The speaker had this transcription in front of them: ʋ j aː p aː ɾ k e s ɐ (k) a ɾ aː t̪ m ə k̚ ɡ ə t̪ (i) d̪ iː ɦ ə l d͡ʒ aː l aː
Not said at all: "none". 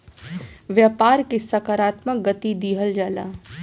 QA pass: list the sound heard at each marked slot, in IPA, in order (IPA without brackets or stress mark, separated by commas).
k, i